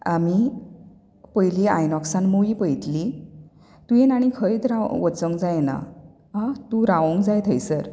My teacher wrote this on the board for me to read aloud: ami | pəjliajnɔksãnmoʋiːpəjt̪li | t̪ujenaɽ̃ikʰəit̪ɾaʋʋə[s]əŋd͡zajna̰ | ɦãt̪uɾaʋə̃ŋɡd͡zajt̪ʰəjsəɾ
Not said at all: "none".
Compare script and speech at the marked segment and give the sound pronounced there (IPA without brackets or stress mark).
t͡s